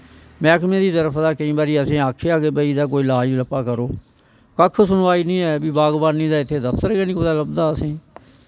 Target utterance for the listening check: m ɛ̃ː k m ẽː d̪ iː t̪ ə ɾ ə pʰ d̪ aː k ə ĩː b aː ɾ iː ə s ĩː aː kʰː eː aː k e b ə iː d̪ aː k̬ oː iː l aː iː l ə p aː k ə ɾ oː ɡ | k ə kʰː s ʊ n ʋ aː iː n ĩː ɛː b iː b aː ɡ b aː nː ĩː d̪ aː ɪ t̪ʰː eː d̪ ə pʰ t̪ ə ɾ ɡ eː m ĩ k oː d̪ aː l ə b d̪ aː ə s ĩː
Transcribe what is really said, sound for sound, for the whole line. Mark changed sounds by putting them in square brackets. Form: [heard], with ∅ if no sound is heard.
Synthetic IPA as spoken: m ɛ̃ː k m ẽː d̪ iː t̪ ə ɾ ə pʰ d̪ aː k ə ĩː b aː ɾ iː ə s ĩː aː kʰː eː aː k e b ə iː d̪ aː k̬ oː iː l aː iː l ə p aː k ə ɾ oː [∅] | k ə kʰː s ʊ n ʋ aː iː n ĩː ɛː b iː b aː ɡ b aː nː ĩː d̪ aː ɪ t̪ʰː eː d̪ ə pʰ t̪ ə ɾ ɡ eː [n] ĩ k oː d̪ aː l ə b d̪ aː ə s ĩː

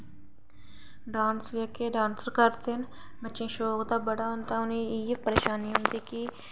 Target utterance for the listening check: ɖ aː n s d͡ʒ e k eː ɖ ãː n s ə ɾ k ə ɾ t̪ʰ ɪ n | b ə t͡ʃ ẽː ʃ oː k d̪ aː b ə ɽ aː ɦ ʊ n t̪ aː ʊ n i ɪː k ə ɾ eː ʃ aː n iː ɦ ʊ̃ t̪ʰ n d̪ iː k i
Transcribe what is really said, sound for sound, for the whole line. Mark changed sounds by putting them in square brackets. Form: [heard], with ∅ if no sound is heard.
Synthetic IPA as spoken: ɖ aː n s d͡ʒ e k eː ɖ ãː n s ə ɾ k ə ɾ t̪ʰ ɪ n | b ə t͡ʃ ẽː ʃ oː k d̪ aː b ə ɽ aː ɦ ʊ n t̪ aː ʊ n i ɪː [p] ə ɾ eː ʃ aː n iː ɦ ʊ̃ [∅] n d̪ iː k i

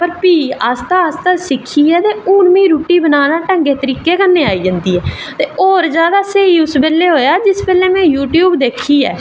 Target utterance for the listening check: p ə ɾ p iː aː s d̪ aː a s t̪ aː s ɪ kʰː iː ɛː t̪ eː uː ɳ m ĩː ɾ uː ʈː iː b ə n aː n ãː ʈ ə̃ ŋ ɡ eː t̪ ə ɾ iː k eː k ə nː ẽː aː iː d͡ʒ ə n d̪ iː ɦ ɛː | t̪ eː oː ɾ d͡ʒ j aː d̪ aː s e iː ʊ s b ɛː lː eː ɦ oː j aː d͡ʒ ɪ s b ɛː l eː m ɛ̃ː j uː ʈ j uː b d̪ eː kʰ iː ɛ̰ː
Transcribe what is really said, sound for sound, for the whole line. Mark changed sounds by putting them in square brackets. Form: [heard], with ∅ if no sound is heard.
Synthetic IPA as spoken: p ə ɾ p iː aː s [t̪] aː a s t̪ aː s ɪ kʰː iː ɛː t̪ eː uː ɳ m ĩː ɾ uː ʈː iː b ə n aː n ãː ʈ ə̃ ŋ ɡ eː t̪ ə ɾ iː k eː k ə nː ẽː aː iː d͡ʒ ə n d̪ iː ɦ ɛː | t̪ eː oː ɾ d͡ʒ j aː d̪ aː s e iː ʊ s b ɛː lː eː ɦ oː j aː d͡ʒ ɪ s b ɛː l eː m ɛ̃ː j uː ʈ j uː b d̪ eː kʰ iː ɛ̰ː

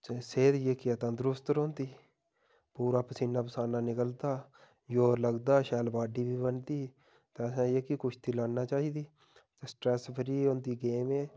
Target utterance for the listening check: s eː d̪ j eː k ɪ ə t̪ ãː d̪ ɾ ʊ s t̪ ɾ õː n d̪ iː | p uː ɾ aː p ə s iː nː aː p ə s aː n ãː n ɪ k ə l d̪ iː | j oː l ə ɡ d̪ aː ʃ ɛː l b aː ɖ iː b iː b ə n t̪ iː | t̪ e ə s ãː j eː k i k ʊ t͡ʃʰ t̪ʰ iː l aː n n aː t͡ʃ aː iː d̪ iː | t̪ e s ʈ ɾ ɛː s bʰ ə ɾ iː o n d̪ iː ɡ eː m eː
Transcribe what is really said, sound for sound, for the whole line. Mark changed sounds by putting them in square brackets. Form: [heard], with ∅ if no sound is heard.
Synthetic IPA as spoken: s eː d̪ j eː k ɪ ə t̪ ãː d̪ ɾ ʊ s t̪ ɾ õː n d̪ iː | p uː ɾ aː p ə s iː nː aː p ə s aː n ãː n ɪ k ə l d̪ [aː] | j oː l ə ɡ d̪ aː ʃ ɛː l b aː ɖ iː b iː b ə n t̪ iː | t̪ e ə s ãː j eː k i k ʊ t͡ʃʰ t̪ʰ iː l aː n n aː t͡ʃ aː iː d̪ iː | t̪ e s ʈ ɾ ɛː s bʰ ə ɾ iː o n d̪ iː ɡ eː m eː

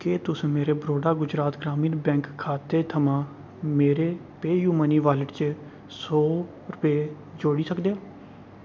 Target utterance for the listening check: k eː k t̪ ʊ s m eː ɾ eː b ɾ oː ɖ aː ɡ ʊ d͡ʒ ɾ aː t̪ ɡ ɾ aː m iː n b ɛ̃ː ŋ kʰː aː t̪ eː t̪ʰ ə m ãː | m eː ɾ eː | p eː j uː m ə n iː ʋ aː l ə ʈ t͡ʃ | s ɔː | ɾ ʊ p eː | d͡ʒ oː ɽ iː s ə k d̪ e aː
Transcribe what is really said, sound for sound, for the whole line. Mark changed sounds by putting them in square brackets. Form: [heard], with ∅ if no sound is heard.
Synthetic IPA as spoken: k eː [∅] t̪ ʊ s m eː ɾ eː b ɾ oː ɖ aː ɡ ʊ d͡ʒ ɾ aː t̪ ɡ ɾ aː m iː n b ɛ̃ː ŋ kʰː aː t̪ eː t̪ʰ ə m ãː | m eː ɾ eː | p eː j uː m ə n iː ʋ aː l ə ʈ t͡ʃ | s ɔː | ɾ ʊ p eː | d͡ʒ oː ɽ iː s ə k d̪ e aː

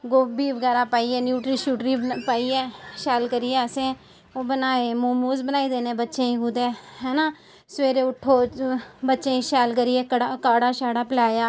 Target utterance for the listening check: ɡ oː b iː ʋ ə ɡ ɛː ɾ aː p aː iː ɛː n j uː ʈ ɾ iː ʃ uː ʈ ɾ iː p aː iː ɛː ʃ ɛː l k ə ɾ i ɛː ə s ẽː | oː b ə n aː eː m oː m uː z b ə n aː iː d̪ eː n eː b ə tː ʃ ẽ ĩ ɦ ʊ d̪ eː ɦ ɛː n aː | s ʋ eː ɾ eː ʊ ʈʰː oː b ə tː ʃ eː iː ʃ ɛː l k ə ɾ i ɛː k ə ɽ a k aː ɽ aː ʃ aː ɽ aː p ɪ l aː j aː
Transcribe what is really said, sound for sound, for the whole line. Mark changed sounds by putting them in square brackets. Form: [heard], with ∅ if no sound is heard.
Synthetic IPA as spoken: ɡ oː b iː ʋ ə ɡ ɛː ɾ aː p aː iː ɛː n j uː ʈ ɾ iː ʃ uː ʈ ɾ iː p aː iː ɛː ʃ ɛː l k ə ɾ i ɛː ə s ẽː | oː b ə n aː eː m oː m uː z b ə n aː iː d̪ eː n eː b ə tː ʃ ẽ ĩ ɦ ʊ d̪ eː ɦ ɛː n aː | s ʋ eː ɾ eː ʊ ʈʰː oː b ə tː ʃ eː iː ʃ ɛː l k ə ɾ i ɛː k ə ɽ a k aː ɽ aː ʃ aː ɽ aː p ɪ l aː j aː

